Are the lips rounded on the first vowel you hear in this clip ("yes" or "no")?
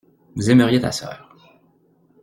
yes